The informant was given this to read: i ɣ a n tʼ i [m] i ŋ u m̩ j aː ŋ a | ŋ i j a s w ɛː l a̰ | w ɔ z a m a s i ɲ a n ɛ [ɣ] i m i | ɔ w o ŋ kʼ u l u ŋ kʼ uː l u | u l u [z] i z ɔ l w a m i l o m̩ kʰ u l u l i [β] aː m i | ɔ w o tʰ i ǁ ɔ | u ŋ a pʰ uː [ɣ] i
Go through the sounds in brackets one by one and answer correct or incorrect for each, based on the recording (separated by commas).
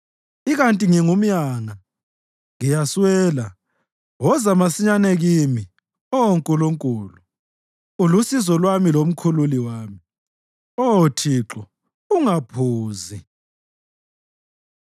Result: incorrect, correct, incorrect, incorrect, incorrect